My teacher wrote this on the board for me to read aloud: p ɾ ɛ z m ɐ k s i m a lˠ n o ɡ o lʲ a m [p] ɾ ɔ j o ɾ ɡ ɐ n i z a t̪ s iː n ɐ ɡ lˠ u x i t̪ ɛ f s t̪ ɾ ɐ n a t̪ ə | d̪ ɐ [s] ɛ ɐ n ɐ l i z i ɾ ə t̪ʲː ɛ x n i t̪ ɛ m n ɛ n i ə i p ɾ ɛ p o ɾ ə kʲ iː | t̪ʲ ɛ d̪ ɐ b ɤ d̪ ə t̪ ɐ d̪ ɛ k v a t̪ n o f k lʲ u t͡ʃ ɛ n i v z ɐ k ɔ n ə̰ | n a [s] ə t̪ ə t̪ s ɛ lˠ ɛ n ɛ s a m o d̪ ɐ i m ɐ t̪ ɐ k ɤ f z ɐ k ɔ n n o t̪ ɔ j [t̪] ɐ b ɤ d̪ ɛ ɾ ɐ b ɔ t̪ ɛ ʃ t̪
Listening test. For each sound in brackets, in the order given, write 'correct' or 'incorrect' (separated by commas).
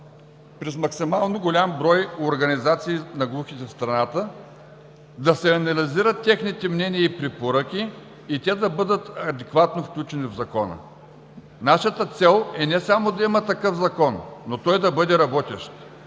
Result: incorrect, correct, incorrect, incorrect